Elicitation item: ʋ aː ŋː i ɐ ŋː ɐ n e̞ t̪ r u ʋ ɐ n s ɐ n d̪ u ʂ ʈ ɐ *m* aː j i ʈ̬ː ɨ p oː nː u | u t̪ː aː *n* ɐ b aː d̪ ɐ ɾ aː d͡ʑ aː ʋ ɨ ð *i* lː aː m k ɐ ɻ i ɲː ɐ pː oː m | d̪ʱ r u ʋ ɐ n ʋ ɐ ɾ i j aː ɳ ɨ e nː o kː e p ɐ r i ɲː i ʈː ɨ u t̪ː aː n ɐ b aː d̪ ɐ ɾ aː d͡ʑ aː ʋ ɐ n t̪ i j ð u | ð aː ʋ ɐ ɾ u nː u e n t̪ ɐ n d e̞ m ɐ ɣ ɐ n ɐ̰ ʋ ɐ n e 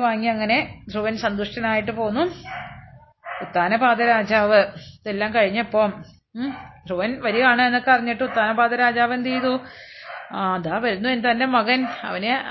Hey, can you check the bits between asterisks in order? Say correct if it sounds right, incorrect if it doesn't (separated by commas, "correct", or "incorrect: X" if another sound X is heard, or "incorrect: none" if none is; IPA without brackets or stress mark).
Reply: incorrect: n, correct, incorrect: e